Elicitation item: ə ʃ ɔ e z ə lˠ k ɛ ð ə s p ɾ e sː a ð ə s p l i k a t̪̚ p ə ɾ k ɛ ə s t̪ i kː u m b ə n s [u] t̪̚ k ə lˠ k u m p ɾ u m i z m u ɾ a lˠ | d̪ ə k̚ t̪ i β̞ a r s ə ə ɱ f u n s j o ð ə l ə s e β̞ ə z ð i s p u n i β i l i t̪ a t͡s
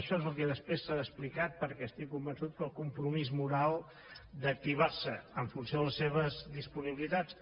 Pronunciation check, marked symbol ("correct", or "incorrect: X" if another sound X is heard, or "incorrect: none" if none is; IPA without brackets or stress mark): correct